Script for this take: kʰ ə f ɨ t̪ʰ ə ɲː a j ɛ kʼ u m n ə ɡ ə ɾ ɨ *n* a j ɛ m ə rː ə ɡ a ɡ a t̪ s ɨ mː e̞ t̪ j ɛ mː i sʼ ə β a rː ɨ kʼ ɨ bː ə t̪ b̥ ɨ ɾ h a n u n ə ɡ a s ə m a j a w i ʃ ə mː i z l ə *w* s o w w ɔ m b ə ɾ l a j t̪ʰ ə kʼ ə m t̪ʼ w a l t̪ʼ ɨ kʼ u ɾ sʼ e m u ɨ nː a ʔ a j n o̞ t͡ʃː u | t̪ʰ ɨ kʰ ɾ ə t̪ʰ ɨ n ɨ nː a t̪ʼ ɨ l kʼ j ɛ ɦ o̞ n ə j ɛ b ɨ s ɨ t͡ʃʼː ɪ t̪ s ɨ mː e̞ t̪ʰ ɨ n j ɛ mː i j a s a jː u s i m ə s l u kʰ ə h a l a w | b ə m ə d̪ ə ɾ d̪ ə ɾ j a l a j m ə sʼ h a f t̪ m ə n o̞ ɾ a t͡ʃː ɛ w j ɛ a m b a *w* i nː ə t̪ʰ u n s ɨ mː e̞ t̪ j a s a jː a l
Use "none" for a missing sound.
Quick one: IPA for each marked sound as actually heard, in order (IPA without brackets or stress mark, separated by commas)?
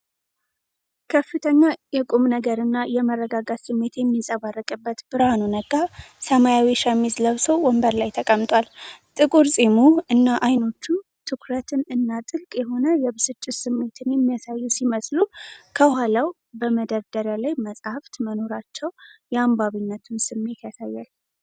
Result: nː, β, β